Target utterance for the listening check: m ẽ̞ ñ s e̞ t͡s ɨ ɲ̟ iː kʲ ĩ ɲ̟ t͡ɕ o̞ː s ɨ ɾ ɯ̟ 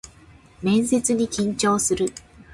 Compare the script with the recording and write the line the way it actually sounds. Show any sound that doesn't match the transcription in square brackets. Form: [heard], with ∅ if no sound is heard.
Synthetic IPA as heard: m ẽ̞ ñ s e̞ t͡s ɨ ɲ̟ [i] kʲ ĩ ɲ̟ t͡ɕ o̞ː s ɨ ɾ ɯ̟